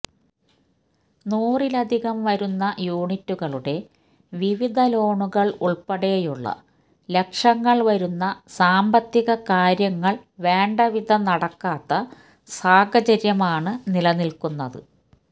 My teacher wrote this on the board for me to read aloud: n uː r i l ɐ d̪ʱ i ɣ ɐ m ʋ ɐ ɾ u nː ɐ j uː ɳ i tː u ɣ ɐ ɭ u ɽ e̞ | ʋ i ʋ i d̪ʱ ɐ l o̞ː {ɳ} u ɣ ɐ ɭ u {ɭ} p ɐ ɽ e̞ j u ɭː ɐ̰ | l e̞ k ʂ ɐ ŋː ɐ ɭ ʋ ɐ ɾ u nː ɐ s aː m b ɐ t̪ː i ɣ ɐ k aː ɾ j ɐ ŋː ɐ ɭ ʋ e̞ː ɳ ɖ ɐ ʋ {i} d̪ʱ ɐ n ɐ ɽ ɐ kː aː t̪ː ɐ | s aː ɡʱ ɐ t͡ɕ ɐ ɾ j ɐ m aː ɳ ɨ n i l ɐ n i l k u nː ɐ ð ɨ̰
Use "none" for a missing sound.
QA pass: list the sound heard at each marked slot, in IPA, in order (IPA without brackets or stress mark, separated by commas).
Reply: ɳ, ɭ, i